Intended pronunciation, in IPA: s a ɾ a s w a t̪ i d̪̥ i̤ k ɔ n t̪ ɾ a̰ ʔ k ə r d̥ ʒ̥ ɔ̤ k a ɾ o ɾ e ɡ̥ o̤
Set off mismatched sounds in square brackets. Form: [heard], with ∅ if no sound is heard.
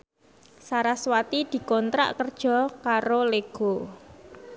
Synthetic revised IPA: s a ɾ a s w a t̪ i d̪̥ i̤ k ɔ n t̪ ɾ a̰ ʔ k ə r d̥ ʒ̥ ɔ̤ k a ɾ o [l] e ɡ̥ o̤